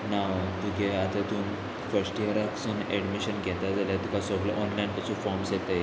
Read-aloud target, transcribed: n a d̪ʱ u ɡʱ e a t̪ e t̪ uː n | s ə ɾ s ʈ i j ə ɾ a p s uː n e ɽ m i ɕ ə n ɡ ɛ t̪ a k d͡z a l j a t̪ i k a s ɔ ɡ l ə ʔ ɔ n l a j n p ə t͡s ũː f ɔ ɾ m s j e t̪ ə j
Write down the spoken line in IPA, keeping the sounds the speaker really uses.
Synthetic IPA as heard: n a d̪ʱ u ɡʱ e a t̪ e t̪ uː n | f ə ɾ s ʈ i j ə ɾ a k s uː n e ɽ m i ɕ ə n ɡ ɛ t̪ a d͡z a l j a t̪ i k a s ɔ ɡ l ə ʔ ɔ n l a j n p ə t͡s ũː f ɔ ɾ m s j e t̪ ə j

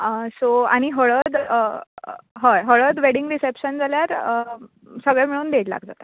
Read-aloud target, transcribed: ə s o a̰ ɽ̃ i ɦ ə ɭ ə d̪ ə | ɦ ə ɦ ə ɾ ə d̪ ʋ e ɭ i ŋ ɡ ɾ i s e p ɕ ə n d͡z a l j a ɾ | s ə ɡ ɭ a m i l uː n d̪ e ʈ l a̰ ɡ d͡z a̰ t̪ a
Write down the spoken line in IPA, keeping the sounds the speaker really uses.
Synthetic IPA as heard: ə s o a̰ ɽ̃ i ɦ ə ɭ ə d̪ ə | ɦ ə ɦ ə ɭ ə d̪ ʋ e ɽ i ŋ ɡ ɾ i s e p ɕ ə n d͡z a l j a ɾ | s ə ɡ ɭ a m i ɭ uː n d̪ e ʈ l a̰ ɡ d͡z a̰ t̪ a

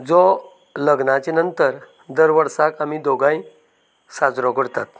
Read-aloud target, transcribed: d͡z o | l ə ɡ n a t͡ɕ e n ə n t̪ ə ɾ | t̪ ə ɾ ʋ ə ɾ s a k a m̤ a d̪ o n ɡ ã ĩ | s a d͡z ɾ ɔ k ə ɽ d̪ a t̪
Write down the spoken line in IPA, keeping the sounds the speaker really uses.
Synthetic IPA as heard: d͡z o | l ə ɡ n a t͡ɕ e n ə n t̪ ə ɾ | d̪ ə ɾ ʋ ə ɾ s a k a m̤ i d̪ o ɡ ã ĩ | s a d͡z ɾ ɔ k ə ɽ t̪ a t̪

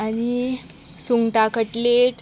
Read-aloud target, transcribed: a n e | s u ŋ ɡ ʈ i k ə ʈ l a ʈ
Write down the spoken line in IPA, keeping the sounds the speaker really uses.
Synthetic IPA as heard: a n i | s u ŋ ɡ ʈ a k ə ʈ l e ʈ

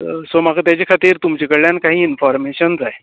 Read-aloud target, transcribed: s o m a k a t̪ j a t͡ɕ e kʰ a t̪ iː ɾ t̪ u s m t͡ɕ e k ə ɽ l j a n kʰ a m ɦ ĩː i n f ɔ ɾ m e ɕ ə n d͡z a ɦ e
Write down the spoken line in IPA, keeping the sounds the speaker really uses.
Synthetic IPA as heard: s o m a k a t̪ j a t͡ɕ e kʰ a t̪ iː ɾ t̪ u m t͡ɕ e k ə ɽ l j a n k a ɦ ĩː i n f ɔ ɾ m e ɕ ə n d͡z a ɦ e

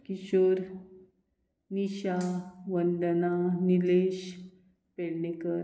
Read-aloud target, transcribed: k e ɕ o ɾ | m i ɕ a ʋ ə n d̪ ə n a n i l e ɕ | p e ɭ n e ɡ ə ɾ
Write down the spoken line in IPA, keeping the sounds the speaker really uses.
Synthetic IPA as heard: k i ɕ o ɾ | n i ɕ a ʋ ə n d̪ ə n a n i l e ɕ | p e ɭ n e k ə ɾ

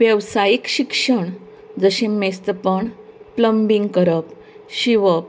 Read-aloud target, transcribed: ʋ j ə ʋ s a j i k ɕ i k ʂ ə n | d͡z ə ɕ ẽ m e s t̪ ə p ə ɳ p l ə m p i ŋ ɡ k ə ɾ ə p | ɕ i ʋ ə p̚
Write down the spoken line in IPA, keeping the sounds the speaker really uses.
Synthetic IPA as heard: ʋ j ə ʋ s a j i k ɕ i k ʂ ə ɳ | d͡z ə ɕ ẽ m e s t̪ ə p ə ɳ p l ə m b i ŋ ɡ k ə ɾ ə p | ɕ i ʋ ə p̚

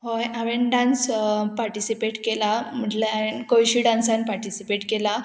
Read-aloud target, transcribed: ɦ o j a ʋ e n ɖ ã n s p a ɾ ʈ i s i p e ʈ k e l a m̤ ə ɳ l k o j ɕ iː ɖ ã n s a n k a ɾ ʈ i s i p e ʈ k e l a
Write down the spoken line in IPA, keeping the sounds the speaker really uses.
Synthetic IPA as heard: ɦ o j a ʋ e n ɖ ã n s p a ɾ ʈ i s i p e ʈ k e l a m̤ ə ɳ l k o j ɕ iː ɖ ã n s a n p a ɾ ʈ i s i p e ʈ k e l a

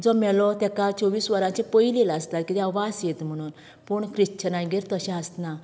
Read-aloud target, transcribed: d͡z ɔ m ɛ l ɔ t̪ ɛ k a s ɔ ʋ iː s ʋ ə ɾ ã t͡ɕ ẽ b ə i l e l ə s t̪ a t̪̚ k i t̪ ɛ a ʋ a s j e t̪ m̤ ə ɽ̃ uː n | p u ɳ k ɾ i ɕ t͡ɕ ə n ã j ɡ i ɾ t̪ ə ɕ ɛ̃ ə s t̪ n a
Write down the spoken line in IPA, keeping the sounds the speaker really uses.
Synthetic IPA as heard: d͡z ɔ m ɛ l ɔ t̪ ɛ k a t͡s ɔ ʋ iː s ʋ ə ɾ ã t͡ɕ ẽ p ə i l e l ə s t̪ a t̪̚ k i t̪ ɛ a ʋ a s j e t̪ m̤ ə ɽ̃ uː n | p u ɳ k ɾ i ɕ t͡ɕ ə n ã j ɡ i ɾ t̪ ə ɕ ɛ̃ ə s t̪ n a

